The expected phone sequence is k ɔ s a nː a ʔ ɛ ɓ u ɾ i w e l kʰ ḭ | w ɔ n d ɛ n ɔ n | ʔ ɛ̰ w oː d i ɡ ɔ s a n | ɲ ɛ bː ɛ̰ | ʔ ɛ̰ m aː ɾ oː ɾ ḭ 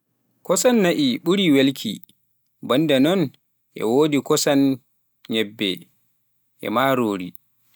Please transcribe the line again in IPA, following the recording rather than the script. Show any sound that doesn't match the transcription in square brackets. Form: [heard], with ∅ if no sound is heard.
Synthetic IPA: k ɔ s a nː a ʔ [i] ɓ u ɾ i w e l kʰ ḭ | [b] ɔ n d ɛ n ɔ n | ʔ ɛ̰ w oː d i [k] ɔ s a n | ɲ ɛ bː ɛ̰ | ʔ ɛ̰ m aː ɾ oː ɾ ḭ